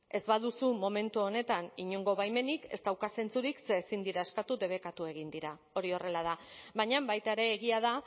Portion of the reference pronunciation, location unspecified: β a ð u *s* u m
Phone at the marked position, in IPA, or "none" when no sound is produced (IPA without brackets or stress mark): s